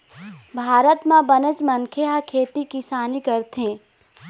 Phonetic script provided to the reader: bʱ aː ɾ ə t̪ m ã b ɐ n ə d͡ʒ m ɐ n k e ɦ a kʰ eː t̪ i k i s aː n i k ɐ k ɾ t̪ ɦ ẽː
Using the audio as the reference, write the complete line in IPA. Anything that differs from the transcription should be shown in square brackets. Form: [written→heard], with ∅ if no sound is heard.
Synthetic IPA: bʱ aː ɾ ə t̪ m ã b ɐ n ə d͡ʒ m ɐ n [k→kʰ] e ɦ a kʰ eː t̪ i k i s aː n i k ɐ [k→∅] ɾ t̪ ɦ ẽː